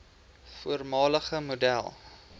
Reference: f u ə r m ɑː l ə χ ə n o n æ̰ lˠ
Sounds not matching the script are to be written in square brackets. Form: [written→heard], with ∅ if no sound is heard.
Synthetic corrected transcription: f u ə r m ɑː l ə χ ə [n→m] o [n→d] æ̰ lˠ